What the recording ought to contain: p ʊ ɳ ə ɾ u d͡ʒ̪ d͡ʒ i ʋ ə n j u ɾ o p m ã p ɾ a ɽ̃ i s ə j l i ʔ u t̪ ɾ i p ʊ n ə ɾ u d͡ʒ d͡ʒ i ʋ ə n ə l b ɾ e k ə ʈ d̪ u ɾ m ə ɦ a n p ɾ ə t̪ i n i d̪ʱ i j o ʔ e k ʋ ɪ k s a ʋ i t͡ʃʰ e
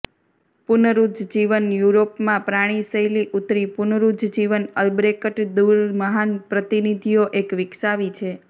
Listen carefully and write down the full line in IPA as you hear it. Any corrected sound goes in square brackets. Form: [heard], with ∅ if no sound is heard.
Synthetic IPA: p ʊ [n] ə ɾ u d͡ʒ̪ d͡ʒ i ʋ ə n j u ɾ o p m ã p ɾ a ɽ̃ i s ə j l i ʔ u t̪ ɾ i p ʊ n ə ɾ u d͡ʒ d͡ʒ i ʋ ə n ə l b ɾ e k ə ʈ d̪ u ɾ m ə ɦ a n p ɾ ə t̪ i n i d̪ʱ i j o ʔ e k ʋ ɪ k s a ʋ i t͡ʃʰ e

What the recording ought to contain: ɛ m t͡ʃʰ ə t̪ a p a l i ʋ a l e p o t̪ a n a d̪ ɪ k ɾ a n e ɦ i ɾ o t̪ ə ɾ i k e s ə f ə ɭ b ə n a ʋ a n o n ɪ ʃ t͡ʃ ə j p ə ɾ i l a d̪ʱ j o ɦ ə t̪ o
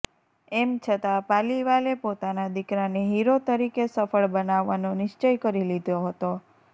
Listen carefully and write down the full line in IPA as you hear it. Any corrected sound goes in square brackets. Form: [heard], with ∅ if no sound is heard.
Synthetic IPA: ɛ m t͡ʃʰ ə t̪ a p a l i ʋ a l e p o t̪ a n a d̪ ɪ k ɾ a n e ɦ i ɾ o t̪ ə ɾ i k e s ə f ə ɭ b ə n a [ʋː] a n o n ɪ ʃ t͡ʃ ə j [k] ə ɾ i l [i] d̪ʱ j o ɦ ə t̪ o

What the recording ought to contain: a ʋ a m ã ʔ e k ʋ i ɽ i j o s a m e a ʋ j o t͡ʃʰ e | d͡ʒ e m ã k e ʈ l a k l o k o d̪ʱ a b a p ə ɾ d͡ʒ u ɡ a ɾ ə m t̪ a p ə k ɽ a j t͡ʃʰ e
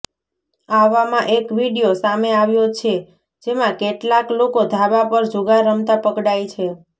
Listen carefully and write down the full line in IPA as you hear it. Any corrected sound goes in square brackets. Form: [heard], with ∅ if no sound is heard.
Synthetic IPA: a ʋ a m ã ʔ e k ʋ i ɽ i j o s a m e a ʋ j o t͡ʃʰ e | d͡ʒ e m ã k e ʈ l a k l o k o d̪ʱ a b a p ə ɾ d͡ʒ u ɡ a ɾ ə m t̪ a p ə k ɽ a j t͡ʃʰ e

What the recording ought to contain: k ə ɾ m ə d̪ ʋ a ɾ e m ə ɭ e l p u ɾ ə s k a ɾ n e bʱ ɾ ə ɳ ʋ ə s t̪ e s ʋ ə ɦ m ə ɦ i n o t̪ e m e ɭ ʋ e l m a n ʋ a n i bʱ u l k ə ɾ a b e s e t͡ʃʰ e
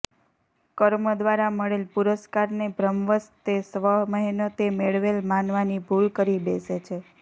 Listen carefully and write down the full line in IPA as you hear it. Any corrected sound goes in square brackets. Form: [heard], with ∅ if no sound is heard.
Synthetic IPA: k ə ɾ m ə d̪ ʋ a ɾ [a] m ə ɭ e l p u ɾ ə s k a ɾ n e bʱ ɾ ə [m] ʋ ə s t̪ e s ʋ ə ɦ m ə ɦ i n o t̪ e m e ɭ ʋ e l m a n ʋ a n i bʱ u l k ə ɾ [i] b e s e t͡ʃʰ e

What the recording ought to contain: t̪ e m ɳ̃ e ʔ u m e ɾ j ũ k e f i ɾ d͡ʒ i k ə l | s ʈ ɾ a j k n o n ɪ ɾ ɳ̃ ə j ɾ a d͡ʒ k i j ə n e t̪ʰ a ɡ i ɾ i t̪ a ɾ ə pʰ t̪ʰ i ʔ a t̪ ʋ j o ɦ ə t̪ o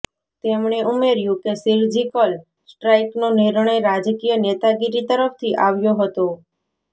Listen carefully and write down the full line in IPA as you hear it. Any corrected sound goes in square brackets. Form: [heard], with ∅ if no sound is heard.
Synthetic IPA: t̪ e m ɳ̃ e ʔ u m e ɾ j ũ k e [s] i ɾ d͡ʒ i k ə l | s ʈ ɾ a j k n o n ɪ ɾ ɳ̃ ə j ɾ a d͡ʒ k i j ə n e [t̪] a ɡ i ɾ i t̪ [ə] ɾ ə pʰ t̪ʰ i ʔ a [∅] ʋ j o ɦ ə t̪ o

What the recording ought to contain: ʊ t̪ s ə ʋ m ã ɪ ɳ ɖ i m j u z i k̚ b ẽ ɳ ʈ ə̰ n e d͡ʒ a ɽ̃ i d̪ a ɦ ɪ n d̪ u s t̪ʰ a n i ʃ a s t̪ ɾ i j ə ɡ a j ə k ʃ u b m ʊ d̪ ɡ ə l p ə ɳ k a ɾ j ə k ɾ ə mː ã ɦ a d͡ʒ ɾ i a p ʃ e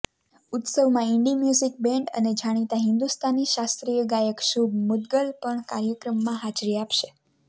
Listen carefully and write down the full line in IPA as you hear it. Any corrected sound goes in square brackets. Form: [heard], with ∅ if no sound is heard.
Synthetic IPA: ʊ t̪ s ə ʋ m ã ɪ ɳ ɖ i m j u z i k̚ b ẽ ɳ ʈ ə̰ n e d͡ʒ a ɽ̃ i [t̪] a ɦ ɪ n d̪ u s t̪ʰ a n i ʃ a s t̪ ɾ i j ə ɡ a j ə k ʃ u b m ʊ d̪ ɡ ə l p ə ɳ k a ɾ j ə k ɾ ə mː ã ɦ a d͡ʒ ɾ i a p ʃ e

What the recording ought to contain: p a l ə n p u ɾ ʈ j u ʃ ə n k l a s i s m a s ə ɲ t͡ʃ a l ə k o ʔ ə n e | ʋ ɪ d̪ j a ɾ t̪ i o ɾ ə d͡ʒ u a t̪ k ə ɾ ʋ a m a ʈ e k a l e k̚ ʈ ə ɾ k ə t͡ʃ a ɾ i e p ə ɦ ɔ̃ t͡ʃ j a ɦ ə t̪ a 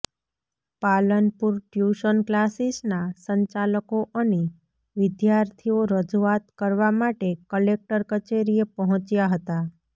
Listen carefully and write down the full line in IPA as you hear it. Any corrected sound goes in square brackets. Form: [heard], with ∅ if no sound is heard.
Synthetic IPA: p a l ə n p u ɾ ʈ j u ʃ ə n k l a s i s [n] a s ə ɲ t͡ʃ a l ə k o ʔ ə n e | ʋ ɪ d̪ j a ɾ [t̪ʰ] i o ɾ ə d͡ʒ u a t̪ k ə ɾ ʋ a m a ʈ e k [ə] l e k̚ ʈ ə ɾ k ə t͡ʃ [e] ɾ i e p ə ɦ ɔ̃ t͡ʃ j a ɦ ə t̪ a

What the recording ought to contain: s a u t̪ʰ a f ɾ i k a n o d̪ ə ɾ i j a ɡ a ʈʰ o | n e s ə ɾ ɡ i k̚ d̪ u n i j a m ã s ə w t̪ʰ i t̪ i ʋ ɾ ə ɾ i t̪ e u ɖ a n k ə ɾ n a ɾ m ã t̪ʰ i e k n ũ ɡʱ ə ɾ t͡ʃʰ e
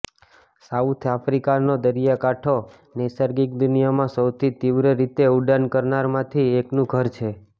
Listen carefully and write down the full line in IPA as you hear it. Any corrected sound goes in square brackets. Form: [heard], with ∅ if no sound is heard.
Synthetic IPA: s a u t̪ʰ a f ɾ i k a n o d̪ ə ɾ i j a [k] a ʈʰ o | n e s ə ɾ ɡ i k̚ d̪ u n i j a m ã s ə w t̪ʰ i t̪ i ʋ ɾ ə ɾ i t̪ e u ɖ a n k ə ɾ n a ɾ m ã t̪ʰ i e k n ũ ɡʱ ə ɾ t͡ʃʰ e

